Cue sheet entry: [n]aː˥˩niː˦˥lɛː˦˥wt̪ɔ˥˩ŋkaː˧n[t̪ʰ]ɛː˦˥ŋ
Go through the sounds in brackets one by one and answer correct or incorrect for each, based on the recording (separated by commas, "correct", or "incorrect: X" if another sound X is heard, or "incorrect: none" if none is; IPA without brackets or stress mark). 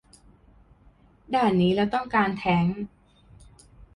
incorrect: d, correct